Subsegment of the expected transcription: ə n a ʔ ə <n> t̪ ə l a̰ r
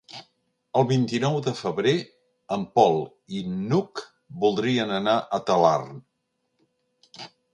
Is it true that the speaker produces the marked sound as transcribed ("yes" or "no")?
no